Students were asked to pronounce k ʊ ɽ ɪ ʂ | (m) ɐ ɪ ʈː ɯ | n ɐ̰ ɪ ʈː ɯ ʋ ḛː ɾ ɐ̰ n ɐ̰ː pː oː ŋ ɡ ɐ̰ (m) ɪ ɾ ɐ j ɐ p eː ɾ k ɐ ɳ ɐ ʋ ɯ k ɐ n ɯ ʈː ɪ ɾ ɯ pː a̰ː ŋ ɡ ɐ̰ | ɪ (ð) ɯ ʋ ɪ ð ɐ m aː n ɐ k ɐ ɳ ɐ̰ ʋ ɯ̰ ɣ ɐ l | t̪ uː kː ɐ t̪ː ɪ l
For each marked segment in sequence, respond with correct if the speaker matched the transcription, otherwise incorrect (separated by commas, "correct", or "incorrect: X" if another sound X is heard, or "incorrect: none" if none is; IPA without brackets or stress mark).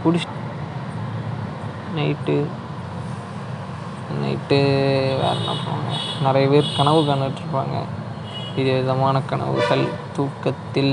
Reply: incorrect: n, incorrect: n, correct